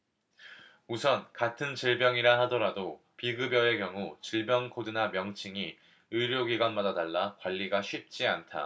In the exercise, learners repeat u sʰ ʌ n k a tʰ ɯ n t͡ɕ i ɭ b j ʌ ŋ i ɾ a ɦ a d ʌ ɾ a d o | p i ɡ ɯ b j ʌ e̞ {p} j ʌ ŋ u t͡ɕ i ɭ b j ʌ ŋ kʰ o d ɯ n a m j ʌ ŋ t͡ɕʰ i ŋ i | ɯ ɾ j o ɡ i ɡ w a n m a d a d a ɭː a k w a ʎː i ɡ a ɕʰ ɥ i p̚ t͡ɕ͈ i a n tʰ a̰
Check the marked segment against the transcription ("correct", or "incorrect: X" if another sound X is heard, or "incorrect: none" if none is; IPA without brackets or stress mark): incorrect: k